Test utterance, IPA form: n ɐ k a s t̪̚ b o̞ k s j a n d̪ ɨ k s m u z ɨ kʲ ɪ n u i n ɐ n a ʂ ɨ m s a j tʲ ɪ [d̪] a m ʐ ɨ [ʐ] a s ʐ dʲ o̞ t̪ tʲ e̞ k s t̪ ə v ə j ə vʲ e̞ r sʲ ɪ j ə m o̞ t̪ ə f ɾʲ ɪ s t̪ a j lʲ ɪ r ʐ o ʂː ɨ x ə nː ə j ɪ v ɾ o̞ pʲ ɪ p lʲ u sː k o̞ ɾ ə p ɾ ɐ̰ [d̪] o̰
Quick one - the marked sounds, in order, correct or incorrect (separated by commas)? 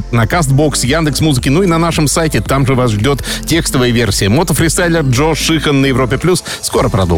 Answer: incorrect, incorrect, correct